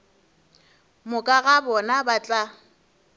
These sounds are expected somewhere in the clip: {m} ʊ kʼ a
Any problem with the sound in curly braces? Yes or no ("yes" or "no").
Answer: no